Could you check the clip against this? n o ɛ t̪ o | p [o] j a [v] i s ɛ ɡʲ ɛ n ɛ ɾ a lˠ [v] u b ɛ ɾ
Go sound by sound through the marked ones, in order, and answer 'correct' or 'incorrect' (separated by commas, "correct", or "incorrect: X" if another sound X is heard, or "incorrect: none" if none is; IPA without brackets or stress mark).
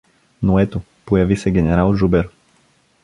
correct, correct, incorrect: ʒ